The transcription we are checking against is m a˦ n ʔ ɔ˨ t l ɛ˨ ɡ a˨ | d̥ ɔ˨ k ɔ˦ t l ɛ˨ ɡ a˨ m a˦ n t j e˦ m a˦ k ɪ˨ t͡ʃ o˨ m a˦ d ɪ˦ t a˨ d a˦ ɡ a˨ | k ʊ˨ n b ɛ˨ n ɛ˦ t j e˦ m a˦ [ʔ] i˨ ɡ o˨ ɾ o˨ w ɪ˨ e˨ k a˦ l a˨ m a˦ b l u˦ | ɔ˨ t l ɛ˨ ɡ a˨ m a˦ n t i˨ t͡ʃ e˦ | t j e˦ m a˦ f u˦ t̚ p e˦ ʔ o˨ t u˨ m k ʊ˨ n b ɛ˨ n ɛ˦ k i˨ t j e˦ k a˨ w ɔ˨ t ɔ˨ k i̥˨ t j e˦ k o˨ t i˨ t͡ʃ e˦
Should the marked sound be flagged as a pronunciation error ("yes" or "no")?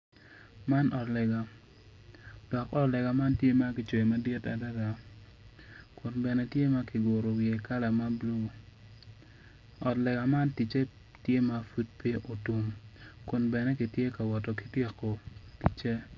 yes